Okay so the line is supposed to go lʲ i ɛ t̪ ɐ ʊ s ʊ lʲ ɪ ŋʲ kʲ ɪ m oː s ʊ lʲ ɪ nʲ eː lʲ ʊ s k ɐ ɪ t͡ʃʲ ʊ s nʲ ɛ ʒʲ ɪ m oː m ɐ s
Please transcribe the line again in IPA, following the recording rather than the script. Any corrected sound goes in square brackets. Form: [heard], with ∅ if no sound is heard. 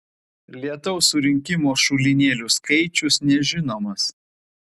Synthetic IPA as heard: lʲ i ɛ t̪ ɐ ʊ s ʊ [ɾʲ] ɪ ŋʲ kʲ ɪ m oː [ʃ] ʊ lʲ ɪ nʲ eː lʲ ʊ s k ɐ ɪ t͡ʃʲ ʊ s nʲ ɛ ʒʲ ɪ [n] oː m ɐ s